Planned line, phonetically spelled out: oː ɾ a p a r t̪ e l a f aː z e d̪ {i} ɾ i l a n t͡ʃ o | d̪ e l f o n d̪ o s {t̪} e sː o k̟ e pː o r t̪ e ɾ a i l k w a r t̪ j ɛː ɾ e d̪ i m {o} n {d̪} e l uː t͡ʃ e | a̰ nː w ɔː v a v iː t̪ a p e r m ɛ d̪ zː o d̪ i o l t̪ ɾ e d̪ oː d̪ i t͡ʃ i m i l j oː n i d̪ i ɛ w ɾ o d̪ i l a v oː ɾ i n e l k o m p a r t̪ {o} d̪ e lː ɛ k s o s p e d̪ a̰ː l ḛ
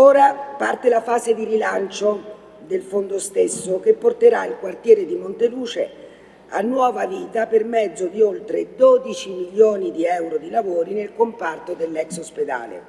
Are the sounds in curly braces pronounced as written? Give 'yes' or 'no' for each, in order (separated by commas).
yes, yes, yes, no, yes